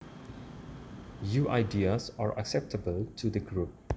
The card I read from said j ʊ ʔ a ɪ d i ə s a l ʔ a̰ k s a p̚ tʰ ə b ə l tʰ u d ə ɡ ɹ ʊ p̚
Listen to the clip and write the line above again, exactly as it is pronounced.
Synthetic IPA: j u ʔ a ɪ d i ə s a ɹ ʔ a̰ k s ɛ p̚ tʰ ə b ə l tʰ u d ə ɡ ɹ u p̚

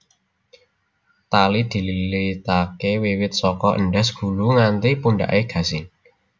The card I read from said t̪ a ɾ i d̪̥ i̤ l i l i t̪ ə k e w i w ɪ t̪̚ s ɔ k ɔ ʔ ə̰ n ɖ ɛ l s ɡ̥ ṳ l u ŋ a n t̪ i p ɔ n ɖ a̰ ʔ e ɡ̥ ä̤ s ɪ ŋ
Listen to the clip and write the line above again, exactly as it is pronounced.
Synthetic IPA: t̪ a l i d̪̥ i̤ l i l i t̪ a k e w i w ɪ t̪̚ s ɔ k ɔ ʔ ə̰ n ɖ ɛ s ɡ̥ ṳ l u ŋ a n t̪ i p u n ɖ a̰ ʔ e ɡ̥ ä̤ s ɪ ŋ

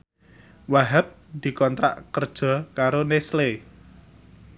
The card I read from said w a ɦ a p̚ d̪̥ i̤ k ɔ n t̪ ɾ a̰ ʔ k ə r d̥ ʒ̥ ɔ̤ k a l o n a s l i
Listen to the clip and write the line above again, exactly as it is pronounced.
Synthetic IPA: w a ɦ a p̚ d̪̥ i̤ k ɔ n t̪ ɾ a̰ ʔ k ə r d̥ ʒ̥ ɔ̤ k a ɾ o n e s l e

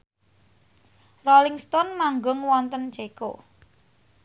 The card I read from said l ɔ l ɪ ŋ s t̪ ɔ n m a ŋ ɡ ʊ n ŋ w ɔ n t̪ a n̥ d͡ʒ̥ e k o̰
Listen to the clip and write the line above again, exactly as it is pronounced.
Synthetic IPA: r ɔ l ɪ ŋ s t̪ ɔ n m a ŋ ɡ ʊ ŋ w ɔ n t̪ ə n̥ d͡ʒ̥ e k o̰

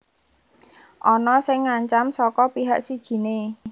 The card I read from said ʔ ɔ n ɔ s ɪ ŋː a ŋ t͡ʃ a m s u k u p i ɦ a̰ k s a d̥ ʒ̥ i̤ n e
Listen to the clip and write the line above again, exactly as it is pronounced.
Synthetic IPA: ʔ ɔ n ɔ s ɪ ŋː a ɲ t͡ʃ a m s ɔ k ɔ p i ɦ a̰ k s i d̥ ʒ̥ i̤ n e

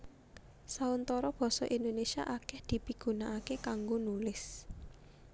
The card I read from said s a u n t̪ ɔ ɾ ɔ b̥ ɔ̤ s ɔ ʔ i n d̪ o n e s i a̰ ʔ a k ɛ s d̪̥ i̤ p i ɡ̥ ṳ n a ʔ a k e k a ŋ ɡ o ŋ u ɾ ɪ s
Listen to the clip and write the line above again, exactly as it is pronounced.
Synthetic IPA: s a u n t̪ ɔ ɾ ɔ b̥ ɔ̤ s ɔ ʔ i n d̪ o n e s i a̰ ʔ a k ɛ h d̪̥ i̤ p i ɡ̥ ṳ n a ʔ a k e k a ŋ ɡ o n u l ɪ s

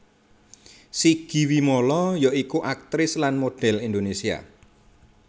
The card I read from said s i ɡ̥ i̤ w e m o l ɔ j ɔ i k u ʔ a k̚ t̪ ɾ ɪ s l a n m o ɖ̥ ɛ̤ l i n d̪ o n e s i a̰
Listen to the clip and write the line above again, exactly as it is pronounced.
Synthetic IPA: s i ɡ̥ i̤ w i m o l ɔ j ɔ i k u ʔ a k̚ t̪ ɾ ɪ s l a n m o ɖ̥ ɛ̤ l i n d̪ o n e s i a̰

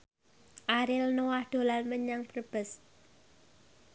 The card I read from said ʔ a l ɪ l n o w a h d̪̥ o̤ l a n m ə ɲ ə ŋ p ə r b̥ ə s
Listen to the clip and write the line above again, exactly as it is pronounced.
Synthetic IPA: ʔ a ɾ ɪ l n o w a h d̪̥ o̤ l a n m ə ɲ a ŋ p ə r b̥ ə s

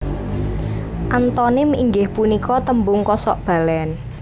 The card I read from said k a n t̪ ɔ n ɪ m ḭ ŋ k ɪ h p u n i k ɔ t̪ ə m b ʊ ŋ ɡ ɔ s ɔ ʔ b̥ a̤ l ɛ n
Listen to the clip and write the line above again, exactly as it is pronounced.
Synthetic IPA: ʔ a n t̪ ɔ n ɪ m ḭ ŋ ɡ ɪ h p u n i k ɔ t̪ ə m b ʊ ŋ k ɔ s ɔ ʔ b̥ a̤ l ɛ n

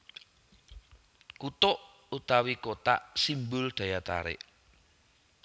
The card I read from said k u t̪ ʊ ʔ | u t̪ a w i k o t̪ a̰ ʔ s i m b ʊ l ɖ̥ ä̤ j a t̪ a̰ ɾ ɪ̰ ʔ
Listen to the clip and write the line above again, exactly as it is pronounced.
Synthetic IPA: k u t̪ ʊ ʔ | u t̪ a w i k o t̪ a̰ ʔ s i m b ʊ l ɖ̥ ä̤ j a t̪ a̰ ɾ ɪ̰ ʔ

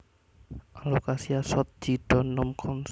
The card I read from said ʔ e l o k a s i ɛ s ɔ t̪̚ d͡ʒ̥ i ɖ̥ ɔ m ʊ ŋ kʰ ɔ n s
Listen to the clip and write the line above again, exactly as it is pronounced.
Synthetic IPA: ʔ a l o k a s i a s ɔ t̪̚ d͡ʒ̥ i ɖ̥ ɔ n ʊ m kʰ ɔ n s

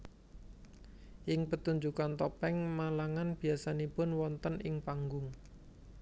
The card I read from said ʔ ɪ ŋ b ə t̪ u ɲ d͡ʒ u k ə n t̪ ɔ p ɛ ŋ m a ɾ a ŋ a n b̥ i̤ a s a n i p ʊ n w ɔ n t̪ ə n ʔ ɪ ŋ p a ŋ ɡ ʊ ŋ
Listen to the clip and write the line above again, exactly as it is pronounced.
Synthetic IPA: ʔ ɪ ŋ p ə t̪ u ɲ d͡ʒ u k a n t̪ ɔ p ɛ ŋ m a l a ŋ a n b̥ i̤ a s a n i p ʊ n w ɔ n t̪ ə n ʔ ɪ ŋ p a ŋ ɡ ʊ ŋ

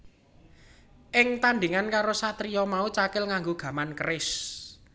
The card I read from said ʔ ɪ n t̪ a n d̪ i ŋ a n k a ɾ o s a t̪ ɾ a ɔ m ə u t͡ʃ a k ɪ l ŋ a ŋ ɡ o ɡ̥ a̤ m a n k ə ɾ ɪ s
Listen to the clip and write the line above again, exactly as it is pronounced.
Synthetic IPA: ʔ ɪ ŋ t̪ a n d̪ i ŋ a n k a ɾ o s a t̪ ɾ i ɔ m a u t͡ʃ a k ɪ l ŋ a ŋ ɡ o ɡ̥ a̤ m a n k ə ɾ ɪ s

